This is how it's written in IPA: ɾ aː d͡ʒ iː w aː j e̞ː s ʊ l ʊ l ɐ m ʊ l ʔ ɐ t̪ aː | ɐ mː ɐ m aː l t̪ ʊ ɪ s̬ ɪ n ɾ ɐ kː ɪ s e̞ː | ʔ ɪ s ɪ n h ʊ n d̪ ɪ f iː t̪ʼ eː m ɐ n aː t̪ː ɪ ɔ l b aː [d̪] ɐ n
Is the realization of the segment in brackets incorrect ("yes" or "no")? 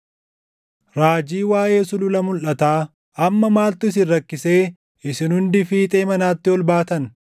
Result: yes